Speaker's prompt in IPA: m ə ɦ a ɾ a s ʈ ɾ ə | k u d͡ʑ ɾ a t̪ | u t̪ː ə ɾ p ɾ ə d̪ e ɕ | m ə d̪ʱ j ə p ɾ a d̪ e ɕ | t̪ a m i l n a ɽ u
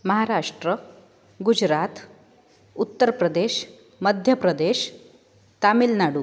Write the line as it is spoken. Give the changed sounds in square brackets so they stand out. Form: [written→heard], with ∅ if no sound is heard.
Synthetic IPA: m ə ɦ a ɾ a [s→ʂ] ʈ ɾ ə | [k→ɡ] u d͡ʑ ɾ a t̪ | u t̪ː ə ɾ p ɾ ə d̪ e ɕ | m ə d̪ʱ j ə p ɾ [a→ə] d̪ e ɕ | t̪ a m i l n a ɽ u